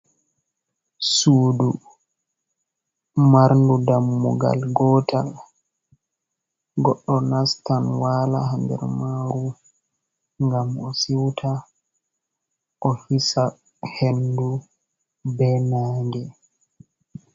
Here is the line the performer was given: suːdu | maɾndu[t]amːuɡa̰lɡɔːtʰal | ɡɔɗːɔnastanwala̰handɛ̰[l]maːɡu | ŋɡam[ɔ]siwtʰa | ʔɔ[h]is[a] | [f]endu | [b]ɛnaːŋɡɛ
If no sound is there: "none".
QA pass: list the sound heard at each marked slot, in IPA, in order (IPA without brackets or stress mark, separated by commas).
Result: d, ɾ, ɔ, h, a, h, b